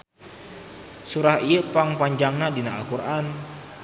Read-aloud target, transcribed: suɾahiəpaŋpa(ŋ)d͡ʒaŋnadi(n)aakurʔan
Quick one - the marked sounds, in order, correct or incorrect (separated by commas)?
incorrect, correct